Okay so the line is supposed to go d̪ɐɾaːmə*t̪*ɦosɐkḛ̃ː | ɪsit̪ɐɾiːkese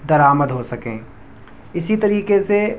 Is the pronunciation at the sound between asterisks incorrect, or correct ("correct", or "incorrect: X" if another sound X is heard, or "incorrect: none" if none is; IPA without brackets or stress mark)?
incorrect: d̪